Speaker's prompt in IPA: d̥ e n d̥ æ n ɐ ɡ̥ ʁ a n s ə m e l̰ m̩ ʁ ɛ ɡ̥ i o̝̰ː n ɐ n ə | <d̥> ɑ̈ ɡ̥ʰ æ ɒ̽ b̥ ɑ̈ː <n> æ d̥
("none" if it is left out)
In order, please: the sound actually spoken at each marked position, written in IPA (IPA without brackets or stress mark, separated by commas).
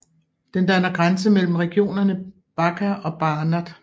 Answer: b̥, n